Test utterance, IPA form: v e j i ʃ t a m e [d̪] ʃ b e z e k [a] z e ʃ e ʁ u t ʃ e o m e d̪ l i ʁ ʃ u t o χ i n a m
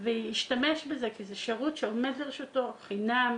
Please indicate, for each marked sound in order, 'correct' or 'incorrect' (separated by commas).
incorrect, incorrect